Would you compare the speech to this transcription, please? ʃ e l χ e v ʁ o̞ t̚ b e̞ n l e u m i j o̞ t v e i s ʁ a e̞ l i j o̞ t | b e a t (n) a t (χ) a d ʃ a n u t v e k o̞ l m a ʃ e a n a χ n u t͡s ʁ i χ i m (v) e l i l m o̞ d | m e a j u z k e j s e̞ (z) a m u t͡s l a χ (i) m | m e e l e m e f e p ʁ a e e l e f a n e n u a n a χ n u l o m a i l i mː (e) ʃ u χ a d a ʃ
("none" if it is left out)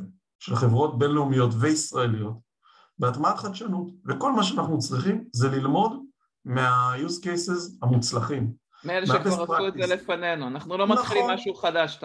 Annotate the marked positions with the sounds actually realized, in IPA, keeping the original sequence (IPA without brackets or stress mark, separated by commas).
m, χ, z, z, i, a